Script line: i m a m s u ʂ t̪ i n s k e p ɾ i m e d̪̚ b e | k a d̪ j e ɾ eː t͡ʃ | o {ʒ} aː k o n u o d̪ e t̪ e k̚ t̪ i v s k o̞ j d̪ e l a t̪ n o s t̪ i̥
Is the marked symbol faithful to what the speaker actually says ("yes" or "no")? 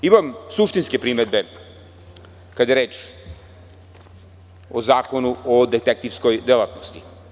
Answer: no